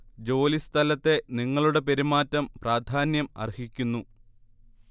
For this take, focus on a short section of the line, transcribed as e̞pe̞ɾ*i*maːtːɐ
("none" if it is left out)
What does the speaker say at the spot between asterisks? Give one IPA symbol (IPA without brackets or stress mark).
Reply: i